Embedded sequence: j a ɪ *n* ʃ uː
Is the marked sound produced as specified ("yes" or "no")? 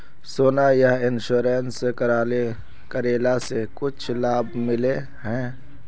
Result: yes